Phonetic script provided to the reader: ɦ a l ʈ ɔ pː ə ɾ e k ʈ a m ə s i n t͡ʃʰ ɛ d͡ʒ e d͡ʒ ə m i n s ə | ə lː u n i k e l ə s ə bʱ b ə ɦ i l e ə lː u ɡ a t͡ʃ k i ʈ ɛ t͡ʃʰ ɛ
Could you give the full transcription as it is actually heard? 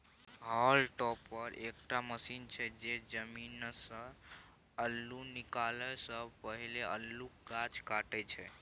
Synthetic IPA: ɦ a l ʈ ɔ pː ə ɾ e k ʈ a m ə s i n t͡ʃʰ ɛ d͡ʒ e d͡ʒ ə m i n s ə | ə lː u n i k a l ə s ə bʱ p ə ɦ i l e ə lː u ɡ a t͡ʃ k a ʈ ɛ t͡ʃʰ ɛ